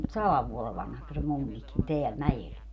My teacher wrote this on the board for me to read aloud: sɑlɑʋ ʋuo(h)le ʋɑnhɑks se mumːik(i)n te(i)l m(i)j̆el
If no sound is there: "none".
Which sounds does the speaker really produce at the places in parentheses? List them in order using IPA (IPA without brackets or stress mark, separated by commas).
none, i, æ, æ